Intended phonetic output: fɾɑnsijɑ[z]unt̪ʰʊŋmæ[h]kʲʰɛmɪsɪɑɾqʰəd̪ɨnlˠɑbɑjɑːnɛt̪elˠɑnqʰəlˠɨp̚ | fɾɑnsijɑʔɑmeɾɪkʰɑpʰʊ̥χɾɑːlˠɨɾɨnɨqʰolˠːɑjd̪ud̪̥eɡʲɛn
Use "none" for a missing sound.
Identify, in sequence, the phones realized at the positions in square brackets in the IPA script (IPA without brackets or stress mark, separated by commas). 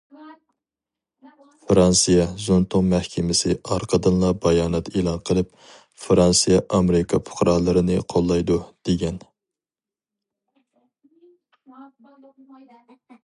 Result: z, h